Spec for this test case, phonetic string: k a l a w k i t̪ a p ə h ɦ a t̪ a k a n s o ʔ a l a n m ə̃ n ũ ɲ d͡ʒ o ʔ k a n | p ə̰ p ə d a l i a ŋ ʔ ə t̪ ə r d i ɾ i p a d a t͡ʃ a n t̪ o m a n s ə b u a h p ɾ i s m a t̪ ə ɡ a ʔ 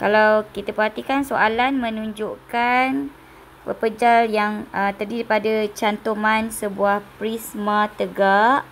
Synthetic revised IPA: k a l a w k i t̪ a p ə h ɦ a t̪ i k a n s o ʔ a l a n m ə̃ n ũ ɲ d͡ʒ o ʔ k a n | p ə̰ p ə d͡ʒ a l j a ŋ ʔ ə t̪ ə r d i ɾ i p a d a t͡ʃ a n t̪ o m a n s ə b u a h p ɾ i s m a t̪ ə ɡ a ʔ